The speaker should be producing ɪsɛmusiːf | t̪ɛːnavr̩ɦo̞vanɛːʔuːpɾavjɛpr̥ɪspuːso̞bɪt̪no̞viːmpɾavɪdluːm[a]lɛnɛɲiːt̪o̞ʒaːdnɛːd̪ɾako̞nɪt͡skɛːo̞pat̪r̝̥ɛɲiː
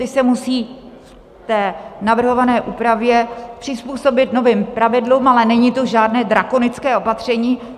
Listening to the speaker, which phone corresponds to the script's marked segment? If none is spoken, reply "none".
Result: a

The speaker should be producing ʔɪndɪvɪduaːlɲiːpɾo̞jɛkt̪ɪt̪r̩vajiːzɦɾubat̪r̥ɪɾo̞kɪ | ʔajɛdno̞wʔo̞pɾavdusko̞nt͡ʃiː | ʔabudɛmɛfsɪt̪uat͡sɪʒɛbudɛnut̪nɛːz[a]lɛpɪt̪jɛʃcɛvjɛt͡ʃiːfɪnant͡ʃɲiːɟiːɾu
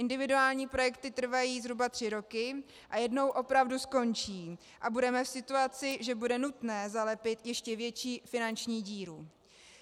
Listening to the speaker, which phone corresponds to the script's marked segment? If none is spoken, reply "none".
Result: a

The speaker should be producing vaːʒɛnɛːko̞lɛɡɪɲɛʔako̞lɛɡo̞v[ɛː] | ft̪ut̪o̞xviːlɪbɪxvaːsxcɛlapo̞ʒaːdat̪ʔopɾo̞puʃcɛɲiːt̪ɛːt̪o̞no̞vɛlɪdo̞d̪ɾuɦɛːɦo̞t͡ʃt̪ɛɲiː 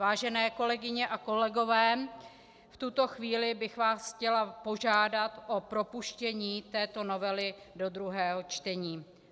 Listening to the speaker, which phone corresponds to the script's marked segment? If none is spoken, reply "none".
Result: ɛː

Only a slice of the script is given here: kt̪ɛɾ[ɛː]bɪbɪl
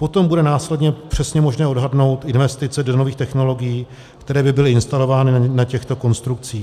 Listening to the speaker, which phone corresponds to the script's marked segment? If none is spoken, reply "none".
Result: ɛː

